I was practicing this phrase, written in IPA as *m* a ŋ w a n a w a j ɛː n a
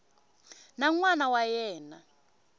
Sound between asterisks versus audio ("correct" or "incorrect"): incorrect